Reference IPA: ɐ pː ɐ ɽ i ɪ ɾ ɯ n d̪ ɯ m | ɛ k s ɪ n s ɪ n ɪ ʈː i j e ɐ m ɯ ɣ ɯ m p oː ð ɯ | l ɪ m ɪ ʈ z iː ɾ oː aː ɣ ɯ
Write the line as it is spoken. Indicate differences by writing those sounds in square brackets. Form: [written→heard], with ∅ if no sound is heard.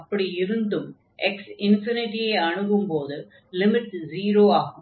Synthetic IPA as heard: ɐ pː ɐ ɽ i ɪ ɾ ɯ n d̪ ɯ m | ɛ k s ɪ n [s→f] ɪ n ɪ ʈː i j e ɐ [m→ɳ] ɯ ɣ ɯ m p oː ð ɯ | l ɪ m ɪ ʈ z iː ɾ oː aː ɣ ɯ